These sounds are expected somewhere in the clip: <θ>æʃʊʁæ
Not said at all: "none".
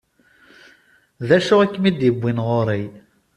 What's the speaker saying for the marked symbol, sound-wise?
ð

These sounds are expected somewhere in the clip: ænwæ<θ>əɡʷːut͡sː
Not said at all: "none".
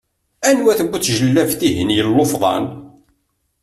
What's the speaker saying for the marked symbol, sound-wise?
θ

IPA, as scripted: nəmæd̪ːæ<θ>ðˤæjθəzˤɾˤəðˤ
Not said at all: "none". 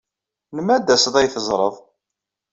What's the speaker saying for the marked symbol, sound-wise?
s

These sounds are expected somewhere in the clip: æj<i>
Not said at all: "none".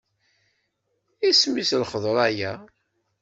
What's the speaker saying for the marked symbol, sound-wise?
æ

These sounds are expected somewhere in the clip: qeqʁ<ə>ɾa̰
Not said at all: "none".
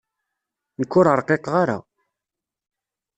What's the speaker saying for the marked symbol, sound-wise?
a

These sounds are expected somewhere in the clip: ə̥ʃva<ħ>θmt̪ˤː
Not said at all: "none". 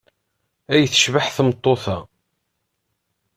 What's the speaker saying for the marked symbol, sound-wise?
ħ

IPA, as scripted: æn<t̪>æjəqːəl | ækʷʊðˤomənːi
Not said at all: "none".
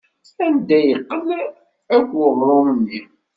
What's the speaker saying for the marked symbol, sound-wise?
d̪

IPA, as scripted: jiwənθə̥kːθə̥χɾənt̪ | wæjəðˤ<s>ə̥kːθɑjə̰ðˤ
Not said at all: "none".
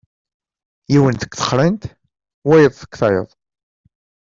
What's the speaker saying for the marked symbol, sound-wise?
θ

